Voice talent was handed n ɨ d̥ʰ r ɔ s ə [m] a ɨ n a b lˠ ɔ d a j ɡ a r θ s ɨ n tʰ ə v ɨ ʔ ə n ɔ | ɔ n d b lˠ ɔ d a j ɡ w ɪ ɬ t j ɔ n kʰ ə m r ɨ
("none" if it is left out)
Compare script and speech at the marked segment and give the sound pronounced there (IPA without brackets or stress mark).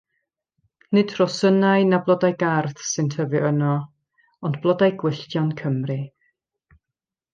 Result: n